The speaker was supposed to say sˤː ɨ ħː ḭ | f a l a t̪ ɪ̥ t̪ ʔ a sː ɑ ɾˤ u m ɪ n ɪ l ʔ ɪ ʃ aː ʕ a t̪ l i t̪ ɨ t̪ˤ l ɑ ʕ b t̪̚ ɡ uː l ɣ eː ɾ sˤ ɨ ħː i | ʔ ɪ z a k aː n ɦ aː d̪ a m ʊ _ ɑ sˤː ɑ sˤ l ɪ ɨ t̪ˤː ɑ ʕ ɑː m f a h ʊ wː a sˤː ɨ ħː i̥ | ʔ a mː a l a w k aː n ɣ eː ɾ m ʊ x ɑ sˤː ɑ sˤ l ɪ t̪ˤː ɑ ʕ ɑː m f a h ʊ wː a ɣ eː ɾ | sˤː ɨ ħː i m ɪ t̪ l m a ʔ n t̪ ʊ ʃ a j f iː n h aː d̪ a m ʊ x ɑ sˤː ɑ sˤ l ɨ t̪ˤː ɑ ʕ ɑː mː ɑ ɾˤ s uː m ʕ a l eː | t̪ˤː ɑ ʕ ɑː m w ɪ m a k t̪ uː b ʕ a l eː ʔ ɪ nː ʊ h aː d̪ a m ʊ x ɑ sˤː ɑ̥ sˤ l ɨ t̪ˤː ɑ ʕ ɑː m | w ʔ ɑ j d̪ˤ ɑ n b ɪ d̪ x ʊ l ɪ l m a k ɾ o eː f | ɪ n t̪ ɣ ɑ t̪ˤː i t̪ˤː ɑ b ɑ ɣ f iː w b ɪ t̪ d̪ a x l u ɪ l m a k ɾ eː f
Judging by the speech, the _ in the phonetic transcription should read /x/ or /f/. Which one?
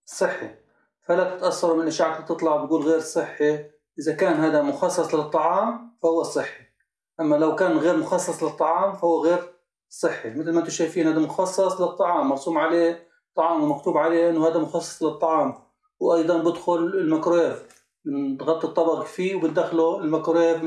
x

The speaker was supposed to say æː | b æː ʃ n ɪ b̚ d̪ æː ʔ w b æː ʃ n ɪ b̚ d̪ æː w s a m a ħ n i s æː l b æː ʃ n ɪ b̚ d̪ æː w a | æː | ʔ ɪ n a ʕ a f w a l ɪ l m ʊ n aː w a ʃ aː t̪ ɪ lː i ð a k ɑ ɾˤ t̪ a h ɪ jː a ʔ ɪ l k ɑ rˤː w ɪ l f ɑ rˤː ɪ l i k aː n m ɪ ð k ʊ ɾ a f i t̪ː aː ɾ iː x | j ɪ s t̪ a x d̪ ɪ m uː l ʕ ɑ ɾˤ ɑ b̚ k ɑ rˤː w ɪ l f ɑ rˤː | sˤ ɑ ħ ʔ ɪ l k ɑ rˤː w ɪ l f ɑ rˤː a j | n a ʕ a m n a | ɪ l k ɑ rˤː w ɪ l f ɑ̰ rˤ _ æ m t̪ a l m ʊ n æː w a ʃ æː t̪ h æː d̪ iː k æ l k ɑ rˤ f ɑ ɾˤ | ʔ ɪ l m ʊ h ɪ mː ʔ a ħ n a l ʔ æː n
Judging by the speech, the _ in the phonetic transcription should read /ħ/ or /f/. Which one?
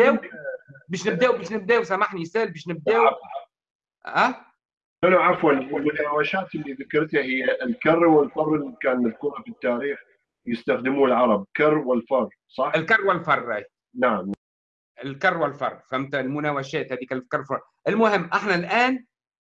f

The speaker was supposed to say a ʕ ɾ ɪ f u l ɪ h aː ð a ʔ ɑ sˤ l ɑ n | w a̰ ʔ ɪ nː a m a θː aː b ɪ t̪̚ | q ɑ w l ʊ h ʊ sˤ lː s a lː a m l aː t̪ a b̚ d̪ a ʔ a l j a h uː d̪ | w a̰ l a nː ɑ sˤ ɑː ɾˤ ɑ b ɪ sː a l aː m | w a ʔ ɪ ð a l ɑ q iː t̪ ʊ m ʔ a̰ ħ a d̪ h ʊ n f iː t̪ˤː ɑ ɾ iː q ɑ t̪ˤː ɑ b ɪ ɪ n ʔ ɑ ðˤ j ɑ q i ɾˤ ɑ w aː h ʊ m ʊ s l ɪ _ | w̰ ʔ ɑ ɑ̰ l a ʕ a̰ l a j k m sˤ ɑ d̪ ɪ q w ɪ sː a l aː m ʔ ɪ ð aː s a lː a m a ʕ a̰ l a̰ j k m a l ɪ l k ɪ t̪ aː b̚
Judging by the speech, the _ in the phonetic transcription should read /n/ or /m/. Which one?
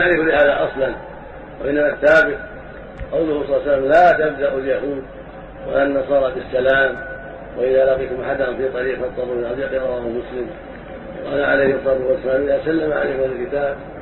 m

